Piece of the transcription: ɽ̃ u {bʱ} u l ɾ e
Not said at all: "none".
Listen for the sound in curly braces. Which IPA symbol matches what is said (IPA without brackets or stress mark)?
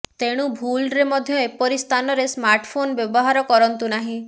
bʱ